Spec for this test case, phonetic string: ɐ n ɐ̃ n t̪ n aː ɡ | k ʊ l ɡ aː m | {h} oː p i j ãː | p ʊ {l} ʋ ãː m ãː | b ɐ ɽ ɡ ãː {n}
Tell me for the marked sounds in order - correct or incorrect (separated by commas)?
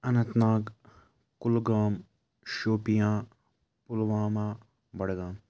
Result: incorrect, correct, incorrect